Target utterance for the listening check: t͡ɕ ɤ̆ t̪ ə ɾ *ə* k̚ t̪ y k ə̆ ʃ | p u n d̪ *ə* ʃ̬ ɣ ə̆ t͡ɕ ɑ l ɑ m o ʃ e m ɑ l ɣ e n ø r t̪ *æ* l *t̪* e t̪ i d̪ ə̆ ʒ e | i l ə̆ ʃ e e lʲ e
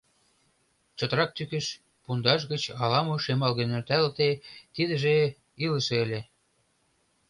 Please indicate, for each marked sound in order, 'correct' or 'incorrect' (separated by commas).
incorrect, incorrect, correct, correct